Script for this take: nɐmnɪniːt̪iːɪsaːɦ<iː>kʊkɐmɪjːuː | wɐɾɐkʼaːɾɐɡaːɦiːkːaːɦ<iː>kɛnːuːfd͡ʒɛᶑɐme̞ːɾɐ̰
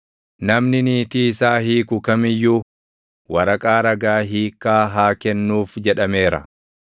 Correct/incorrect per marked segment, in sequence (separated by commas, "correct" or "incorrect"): correct, incorrect